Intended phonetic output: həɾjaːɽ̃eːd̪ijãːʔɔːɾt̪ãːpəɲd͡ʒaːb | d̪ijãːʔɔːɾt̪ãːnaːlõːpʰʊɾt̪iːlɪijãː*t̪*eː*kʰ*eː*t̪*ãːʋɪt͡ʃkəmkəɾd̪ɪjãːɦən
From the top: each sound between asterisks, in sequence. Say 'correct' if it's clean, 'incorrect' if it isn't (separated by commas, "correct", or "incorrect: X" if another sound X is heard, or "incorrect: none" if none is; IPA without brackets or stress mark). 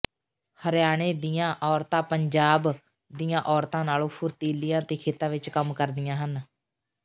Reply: correct, correct, correct